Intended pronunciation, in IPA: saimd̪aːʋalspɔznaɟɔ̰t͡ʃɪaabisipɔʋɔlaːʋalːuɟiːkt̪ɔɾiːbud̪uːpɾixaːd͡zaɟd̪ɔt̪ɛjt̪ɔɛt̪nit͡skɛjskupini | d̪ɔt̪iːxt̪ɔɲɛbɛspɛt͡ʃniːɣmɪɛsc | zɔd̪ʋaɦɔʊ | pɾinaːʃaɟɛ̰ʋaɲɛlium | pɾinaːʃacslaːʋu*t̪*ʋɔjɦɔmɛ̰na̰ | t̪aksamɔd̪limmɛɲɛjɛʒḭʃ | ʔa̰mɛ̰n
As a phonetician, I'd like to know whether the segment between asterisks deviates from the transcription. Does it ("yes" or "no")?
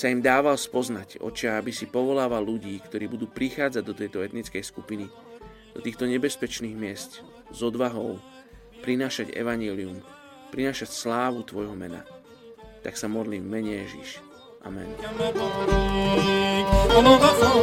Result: no